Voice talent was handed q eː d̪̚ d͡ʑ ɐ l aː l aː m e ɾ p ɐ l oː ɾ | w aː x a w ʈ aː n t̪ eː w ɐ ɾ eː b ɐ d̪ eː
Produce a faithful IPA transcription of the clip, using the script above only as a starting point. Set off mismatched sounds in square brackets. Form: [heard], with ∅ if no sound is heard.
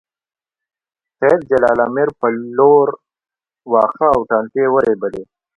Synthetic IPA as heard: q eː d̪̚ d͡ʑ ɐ l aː l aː m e ɾ p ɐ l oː ɾ | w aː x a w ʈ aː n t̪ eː w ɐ ɾ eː b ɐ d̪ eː

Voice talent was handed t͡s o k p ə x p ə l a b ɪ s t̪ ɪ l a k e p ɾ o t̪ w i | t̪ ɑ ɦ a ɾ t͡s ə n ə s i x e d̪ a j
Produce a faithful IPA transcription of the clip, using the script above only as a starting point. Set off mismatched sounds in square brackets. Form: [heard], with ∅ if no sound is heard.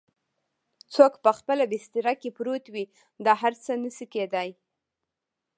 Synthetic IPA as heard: t͡s o k p ə x p ə l a b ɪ s t̪ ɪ [ɾ] a k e p ɾ o t̪ w i | [d̪] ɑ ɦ a ɾ t͡s ə n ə s i [k] e d̪ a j

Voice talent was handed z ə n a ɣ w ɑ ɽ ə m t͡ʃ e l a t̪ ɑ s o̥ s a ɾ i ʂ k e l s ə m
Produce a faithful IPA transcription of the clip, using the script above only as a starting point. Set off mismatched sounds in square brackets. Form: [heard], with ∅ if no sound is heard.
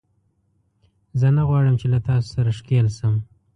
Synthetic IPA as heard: z ə n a ɣ w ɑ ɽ ə m t͡ʃ e l a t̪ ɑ s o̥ s a ɾ [a] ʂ k e l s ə m

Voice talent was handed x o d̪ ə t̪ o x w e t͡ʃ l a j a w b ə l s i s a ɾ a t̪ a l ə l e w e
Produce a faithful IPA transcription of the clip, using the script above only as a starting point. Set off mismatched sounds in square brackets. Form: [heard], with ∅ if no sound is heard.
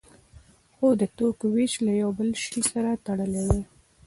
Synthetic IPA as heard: x o d̪ ə t̪ o [k] w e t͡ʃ l a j a w b ə l [ʃ] i s a ɾ a t̪ a [ɽ] ə l e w e

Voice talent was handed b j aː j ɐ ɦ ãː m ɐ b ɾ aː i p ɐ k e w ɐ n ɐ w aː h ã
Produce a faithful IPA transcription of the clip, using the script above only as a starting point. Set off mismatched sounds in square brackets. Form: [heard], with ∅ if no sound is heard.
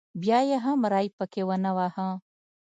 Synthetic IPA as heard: b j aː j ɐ ɦ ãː m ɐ [∅] ɾ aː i p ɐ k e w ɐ n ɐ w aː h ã

